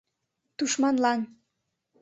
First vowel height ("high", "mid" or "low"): high